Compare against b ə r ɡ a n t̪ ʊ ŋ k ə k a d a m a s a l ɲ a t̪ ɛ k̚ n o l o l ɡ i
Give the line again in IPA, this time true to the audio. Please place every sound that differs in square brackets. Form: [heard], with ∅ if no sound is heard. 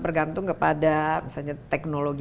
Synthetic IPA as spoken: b ə r ɡ a n t̪ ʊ ŋ k ə [p] a d a m [i] s a l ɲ a t̪ ɛ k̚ n o l o [∅] ɡ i

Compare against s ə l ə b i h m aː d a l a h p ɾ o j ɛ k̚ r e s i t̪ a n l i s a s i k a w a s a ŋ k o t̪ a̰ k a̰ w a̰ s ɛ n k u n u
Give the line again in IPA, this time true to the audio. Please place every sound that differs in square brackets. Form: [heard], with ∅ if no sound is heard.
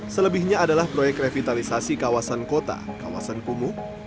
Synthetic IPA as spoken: s ə l ə b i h [ɲ] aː d a l a h p ɾ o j ɛ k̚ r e [f] i t̪ a [∅] l i s a s i k a w a s a [n] k o t̪ a̰ k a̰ w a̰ s [a] n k u [m] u

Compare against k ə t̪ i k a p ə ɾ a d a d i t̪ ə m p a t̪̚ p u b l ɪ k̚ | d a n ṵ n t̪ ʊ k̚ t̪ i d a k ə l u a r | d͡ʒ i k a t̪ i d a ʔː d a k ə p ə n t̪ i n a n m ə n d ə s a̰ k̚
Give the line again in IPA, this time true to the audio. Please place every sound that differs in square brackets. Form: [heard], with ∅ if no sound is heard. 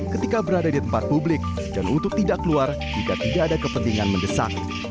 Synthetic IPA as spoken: k ə t̪ i k a [b] ə ɾ a d a d i t̪ ə m p a t̪̚ p u b l ɪ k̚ | d a n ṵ n t̪ ʊ k̚ t̪ i d a k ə l u a r | d͡ʒ i k a t̪ i d a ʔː d a k ə p ə n t̪ i [ŋ] a n m ə n d ə s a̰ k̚

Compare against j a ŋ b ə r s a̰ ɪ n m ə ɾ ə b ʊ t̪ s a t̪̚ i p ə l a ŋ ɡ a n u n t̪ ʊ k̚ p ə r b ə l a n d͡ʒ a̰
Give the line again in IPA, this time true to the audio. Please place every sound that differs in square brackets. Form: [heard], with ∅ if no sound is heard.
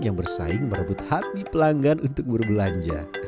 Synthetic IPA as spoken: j a ŋ b ə r s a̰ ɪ [ŋ] m ə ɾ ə b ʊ t̪ [h] a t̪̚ i p ə l a ŋ ɡ a n u n t̪ ʊ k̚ [b] ə r b ə l a [ɲ] d͡ʒ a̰

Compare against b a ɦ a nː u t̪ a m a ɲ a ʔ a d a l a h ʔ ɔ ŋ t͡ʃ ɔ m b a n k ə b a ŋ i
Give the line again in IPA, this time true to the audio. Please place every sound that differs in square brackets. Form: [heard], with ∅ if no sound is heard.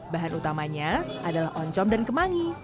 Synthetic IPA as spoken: b a ɦ a [n] u t̪ a m a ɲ a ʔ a d a l a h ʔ ɔ [ɲ] t͡ʃ ɔ m [d] a n k ə [m] a ŋ i

